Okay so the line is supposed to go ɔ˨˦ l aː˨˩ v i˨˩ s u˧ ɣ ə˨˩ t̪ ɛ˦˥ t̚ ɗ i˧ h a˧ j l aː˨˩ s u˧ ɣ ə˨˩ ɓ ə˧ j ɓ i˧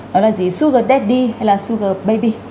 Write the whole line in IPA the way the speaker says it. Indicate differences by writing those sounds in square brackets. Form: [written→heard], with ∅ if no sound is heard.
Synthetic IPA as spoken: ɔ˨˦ l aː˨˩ [v→z] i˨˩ s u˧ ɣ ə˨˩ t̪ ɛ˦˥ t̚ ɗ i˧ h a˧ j l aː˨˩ s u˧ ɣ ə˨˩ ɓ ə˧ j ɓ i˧